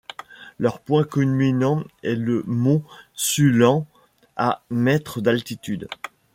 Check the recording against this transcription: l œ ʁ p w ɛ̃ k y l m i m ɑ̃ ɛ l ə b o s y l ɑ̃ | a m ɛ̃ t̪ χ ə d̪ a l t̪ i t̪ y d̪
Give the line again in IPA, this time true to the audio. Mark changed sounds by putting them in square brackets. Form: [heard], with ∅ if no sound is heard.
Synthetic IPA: l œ ʁ p w ɛ̃ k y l m i [n] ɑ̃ ɛ l ə [m] o s y l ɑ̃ | a m [ɛ] t̪ χ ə d̪ a l t̪ i t̪ y d̪